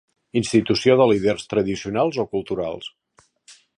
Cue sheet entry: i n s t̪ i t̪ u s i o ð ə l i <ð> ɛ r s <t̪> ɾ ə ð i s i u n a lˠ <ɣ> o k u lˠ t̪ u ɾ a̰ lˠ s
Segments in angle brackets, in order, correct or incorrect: correct, correct, incorrect

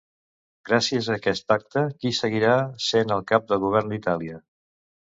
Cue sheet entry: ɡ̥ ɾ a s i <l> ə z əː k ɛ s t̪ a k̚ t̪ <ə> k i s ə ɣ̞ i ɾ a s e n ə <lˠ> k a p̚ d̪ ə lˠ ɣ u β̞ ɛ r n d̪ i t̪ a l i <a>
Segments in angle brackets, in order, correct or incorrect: incorrect, correct, correct, incorrect

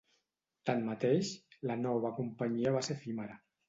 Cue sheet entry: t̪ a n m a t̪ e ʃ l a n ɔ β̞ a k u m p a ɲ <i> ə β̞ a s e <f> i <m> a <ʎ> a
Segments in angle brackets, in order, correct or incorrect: correct, correct, correct, incorrect

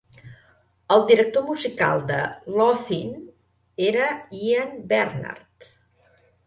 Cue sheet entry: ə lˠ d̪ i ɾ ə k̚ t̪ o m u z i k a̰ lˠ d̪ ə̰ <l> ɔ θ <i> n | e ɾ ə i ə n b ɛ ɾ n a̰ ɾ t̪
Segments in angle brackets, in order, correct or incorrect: correct, correct

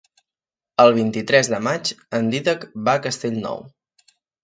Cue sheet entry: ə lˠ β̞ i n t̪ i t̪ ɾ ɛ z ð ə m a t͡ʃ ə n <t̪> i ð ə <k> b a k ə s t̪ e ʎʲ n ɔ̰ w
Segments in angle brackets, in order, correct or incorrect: incorrect, correct

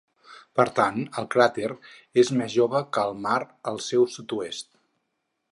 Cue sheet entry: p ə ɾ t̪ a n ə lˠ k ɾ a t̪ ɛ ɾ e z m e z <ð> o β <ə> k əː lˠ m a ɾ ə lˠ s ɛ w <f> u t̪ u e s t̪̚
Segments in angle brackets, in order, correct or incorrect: incorrect, correct, incorrect

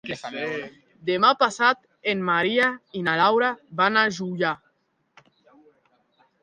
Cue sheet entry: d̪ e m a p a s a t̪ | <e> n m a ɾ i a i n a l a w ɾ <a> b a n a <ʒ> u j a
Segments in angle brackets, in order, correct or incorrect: correct, correct, correct

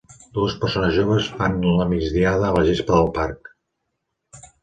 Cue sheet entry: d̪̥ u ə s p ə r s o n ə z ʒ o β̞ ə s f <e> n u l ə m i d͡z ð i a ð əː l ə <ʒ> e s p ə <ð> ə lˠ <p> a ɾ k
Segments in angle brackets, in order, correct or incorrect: incorrect, correct, correct, correct

